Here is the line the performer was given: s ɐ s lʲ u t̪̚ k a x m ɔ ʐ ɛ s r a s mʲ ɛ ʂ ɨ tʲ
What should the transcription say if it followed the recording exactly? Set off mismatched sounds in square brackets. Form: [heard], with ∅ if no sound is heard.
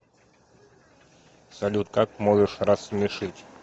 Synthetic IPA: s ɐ [∅] lʲ u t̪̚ k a [k] m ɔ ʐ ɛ [ʂ] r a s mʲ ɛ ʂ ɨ tʲ